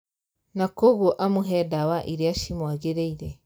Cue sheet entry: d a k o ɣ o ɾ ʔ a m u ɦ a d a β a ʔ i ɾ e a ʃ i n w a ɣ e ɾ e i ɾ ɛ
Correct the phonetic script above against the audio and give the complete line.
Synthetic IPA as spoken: n a k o ɣ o ʔ a m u ɦ ɛ d a w a ʔ i ɾ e a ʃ i m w a ɣ e ɾ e i ɾ ɛ